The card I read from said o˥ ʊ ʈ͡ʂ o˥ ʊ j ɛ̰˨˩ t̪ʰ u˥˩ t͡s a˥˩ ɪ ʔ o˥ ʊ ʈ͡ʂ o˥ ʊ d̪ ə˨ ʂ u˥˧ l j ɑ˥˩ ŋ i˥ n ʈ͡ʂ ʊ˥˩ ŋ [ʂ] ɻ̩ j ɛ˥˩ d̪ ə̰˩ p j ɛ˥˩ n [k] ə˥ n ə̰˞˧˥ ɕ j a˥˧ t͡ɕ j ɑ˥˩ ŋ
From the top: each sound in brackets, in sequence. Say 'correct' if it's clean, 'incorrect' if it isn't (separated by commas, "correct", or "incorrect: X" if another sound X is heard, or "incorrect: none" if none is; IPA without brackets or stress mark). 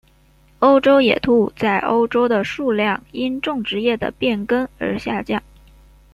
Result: incorrect: ʈ͡ʂ, correct